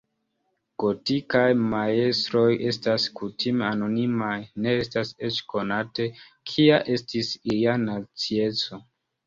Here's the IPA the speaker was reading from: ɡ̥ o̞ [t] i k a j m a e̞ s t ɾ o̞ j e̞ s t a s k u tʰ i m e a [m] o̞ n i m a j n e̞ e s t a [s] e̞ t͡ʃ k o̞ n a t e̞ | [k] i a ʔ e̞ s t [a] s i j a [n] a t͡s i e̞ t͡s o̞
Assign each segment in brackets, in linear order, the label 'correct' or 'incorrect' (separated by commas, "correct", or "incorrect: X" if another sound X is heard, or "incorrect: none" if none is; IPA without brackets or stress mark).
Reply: correct, incorrect: n, correct, incorrect: kʰ, incorrect: i, correct